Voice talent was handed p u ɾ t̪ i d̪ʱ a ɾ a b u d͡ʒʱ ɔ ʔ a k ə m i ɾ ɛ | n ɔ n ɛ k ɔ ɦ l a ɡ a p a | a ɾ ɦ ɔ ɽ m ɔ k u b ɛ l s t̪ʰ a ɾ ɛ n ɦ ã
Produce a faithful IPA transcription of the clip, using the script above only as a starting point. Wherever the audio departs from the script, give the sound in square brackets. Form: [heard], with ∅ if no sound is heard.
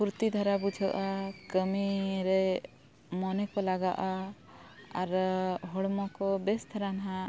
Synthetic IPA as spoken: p u ɾ t̪ i d̪ʱ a ɾ a b u d͡ʒʱ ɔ ʔ a k ə m i ɾ ɛ | [m] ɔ n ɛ k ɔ [∅] l a ɡ a [ʔ] a | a ɾ ɦ ɔ ɽ m ɔ k [ɔ] b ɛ [∅] s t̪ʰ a ɾ [a] n ɦ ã

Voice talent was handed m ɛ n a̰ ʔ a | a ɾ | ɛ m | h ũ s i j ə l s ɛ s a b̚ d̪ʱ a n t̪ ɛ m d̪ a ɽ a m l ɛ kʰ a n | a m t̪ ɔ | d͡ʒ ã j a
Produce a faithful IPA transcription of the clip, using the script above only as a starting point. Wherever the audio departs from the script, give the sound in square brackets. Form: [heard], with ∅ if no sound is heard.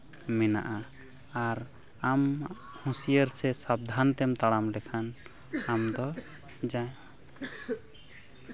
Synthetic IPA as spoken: m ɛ n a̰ ʔ a | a ɾ | [a] m | h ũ s i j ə [ɾ] s ɛ s a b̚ d̪ʱ a n t̪ ɛ m [t̪] a ɽ a m l ɛ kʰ a n | a m [d̪] ɔ | d͡ʒ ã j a

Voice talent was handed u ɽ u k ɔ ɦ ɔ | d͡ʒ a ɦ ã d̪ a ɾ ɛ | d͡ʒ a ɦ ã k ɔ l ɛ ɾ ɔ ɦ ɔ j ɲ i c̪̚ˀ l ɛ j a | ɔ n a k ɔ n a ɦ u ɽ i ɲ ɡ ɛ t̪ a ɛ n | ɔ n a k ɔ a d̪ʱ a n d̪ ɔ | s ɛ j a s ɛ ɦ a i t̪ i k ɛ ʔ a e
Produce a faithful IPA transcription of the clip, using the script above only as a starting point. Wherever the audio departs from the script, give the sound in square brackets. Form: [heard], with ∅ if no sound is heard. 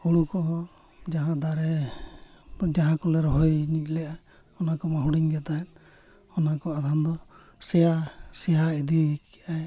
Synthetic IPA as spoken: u ɽ u k ɔ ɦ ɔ | d͡ʒ a ɦ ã d̪ a ɾ ɛ | d͡ʒ a ɦ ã k ɔ l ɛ ɾ ɔ ɦ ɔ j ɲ i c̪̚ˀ l ɛ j a | ɔ n a k ɔ [m] a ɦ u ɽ i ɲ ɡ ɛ t̪ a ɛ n | ɔ n a k ɔ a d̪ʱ a n d̪ ɔ | s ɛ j a s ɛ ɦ a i [d̪] i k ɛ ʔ a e

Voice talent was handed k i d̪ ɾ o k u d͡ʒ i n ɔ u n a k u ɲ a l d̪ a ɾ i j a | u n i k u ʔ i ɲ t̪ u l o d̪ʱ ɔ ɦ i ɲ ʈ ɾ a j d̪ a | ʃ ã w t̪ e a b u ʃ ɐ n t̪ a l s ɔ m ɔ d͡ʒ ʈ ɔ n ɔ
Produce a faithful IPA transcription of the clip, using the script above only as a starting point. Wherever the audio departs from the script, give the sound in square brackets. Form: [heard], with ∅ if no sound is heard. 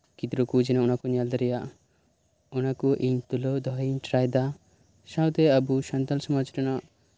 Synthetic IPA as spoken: k i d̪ ɾ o k u d͡ʒ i n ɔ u n a k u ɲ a l d̪ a ɾ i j a | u n [a] k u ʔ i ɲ t̪ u l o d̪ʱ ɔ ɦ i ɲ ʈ ɾ a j d̪ a | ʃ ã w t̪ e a b u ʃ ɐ n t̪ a l s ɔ m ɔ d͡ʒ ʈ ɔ n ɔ

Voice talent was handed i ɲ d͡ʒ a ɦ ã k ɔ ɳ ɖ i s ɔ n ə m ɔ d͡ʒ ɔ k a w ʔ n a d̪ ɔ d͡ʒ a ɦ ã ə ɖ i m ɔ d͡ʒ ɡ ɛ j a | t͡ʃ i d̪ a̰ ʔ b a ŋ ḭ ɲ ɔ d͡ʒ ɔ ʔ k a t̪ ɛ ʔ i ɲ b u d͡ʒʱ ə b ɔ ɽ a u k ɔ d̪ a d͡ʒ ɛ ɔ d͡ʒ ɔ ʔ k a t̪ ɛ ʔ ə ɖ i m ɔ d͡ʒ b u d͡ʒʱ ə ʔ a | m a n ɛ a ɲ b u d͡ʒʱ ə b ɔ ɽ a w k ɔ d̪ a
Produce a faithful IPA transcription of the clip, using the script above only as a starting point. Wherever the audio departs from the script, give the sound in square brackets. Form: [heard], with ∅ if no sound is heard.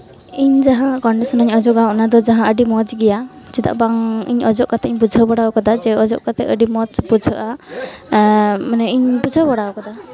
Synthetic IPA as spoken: i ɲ d͡ʒ a ɦ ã k ɔ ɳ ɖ i s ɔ n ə [ɲ] ɔ d͡ʒ ɔ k a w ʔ n a d̪ ɔ d͡ʒ a ɦ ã ə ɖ i m ɔ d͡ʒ ɡ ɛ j a | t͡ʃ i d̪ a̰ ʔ b a ŋ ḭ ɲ ɔ d͡ʒ ɔ ʔ k a t̪ ɛ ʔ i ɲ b u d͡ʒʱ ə b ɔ ɽ a [w] k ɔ d̪ a d͡ʒ ɛ ɔ d͡ʒ ɔ ʔ k a t̪ ɛ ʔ ə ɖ i m ɔ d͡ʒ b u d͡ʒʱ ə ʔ a | m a n ɛ [i] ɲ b u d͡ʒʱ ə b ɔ ɽ a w k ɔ d̪ a

